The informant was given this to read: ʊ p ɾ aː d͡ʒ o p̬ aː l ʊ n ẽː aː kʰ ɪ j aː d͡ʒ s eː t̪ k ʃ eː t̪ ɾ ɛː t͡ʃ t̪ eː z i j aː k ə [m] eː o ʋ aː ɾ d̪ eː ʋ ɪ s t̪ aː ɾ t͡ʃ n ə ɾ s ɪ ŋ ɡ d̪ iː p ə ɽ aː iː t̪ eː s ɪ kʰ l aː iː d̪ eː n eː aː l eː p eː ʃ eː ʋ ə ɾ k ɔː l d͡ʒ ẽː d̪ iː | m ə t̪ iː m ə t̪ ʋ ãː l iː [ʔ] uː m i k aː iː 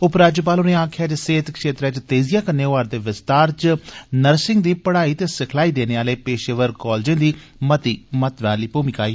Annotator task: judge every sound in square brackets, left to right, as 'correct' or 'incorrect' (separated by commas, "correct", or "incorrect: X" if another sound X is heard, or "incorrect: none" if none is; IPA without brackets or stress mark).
incorrect: n, incorrect: p